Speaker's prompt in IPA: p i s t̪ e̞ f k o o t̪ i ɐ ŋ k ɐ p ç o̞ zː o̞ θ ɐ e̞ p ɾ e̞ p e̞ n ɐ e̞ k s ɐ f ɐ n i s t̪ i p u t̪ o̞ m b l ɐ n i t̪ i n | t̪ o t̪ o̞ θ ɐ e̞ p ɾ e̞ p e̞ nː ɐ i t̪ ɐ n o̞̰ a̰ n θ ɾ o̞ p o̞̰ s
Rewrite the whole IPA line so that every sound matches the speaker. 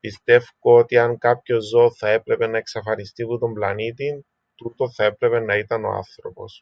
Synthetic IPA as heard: p i s t̪ e̞ f k o o t̪ i ɐ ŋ k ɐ p ç o̞ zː o̞ θ ɐ e̞ p ɾ e̞ p e̞ n ɐ e̞ k s ɐ f ɐ n i s t̪ i p u t̪ o̞ m b l ɐ n i t̪ i n | t̪ u t̪ o̞ θ ɐ e̞ p ɾ e̞ p e̞ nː ɐ i t̪ ɐ n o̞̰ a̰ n θ ɾ o̞ p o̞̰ s